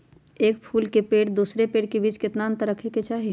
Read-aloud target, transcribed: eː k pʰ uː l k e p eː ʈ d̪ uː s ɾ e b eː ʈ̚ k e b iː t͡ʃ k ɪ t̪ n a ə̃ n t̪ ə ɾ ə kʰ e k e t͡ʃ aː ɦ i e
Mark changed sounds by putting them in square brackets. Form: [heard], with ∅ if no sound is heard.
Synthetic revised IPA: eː k pʰ uː l k e p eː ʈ d̪ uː s ɾ e [p] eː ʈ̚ k e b iː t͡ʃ k ɪ t̪ n a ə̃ n t̪ ə ɾ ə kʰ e k e t͡ʃ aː ɦ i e